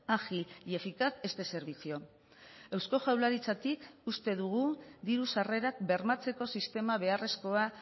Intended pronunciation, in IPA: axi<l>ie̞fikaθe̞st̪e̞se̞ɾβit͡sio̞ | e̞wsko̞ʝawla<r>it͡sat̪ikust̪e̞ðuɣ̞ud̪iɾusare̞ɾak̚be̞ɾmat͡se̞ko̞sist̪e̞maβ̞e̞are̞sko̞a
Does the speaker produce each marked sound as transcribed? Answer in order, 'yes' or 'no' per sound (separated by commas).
yes, no